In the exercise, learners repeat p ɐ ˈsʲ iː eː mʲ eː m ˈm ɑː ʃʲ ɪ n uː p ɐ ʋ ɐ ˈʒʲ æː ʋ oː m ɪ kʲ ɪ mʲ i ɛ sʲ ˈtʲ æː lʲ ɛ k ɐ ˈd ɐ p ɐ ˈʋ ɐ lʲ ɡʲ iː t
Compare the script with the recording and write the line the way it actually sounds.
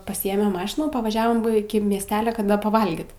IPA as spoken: p ɐ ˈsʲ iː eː mʲ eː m ˈm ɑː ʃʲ ɪ n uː p ɐ ʋ ɐ ˈʒʲ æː ʋ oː m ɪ kʲ ɪ mʲ i ɛ sʲ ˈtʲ æː lʲ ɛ k ɐ ˈd ɐ p ɐ ˈʋ ɐ lʲ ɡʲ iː t